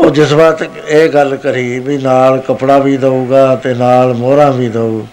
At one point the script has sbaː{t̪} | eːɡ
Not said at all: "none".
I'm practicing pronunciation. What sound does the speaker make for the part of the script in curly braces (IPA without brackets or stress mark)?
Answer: t̪